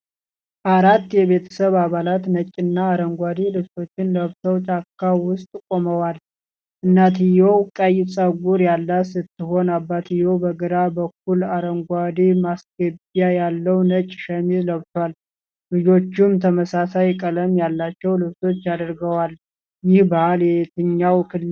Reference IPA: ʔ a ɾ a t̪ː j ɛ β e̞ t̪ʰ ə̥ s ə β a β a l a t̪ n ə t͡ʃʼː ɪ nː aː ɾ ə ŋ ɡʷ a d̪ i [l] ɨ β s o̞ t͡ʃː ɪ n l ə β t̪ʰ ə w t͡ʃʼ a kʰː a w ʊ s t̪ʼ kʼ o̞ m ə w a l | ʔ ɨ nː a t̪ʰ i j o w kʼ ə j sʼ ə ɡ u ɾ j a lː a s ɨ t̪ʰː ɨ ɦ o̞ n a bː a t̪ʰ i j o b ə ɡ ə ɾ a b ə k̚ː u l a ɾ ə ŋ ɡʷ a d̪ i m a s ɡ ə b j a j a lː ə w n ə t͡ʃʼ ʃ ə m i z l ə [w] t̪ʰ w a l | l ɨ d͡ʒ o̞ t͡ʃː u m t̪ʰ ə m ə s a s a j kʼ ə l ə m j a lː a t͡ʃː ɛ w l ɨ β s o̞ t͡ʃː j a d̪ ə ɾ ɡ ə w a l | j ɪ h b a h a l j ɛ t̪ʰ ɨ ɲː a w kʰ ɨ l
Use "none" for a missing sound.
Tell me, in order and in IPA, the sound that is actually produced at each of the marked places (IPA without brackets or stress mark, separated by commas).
l, β